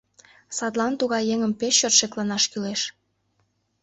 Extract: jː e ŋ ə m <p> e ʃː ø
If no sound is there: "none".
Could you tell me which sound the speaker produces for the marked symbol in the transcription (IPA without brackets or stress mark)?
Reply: p